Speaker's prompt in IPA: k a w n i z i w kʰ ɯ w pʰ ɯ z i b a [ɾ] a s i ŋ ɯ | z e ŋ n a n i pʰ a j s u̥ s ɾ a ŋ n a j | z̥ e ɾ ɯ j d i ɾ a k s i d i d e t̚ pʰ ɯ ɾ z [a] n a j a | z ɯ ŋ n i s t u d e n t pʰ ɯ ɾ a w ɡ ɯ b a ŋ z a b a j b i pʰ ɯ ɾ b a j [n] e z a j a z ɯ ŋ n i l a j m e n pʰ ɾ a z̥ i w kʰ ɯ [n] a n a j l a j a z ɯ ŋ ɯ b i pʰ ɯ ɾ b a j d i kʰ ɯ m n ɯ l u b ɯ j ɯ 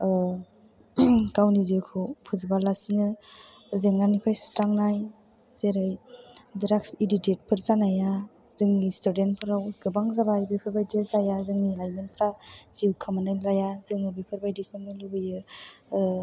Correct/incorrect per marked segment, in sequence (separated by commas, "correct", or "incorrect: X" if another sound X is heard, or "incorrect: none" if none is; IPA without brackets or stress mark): incorrect: l, correct, incorrect: d, incorrect: m